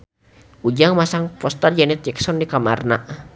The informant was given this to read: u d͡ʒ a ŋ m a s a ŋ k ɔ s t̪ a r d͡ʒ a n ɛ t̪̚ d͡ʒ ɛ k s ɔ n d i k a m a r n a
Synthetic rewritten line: u d͡ʒ a ŋ m a s a ŋ p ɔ s t̪ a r d͡ʒ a n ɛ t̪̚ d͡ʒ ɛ k s ɔ n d i k a m a r n a